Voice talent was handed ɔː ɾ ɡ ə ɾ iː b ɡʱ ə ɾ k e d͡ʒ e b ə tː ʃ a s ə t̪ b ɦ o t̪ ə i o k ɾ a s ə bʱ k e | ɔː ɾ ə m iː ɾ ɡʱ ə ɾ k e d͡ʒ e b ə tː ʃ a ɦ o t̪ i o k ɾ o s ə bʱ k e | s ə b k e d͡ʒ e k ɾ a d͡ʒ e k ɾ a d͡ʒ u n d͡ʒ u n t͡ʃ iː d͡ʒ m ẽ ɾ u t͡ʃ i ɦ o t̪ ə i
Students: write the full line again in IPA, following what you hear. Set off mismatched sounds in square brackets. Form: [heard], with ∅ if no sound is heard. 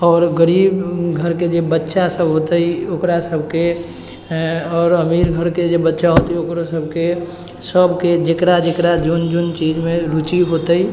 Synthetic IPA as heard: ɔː ɾ ɡ ə ɾ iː b ɡʱ ə ɾ k e d͡ʒ e b ə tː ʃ a s ə [∅] b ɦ o t̪ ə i o k ɾ a s ə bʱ k e | ɔː ɾ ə m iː ɾ ɡʱ ə ɾ k e d͡ʒ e b ə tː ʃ a ɦ o t̪ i o k ɾ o s ə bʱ k e | s ə b k e d͡ʒ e k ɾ a d͡ʒ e k ɾ a d͡ʒ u n d͡ʒ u n t͡ʃ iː d͡ʒ m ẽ ɾ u t͡ʃ i ɦ o t̪ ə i